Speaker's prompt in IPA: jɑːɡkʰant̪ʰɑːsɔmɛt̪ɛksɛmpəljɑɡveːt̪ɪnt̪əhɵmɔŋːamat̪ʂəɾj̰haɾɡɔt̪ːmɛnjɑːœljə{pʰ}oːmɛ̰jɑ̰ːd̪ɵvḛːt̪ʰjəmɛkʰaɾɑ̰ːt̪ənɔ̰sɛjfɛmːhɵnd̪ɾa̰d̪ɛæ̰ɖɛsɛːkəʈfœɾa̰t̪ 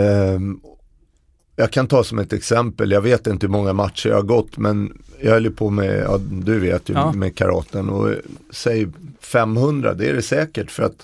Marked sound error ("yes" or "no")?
no